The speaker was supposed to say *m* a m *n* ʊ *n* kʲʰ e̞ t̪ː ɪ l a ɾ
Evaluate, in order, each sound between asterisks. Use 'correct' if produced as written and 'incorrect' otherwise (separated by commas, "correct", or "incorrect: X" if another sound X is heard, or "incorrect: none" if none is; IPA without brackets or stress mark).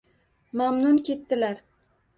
correct, correct, correct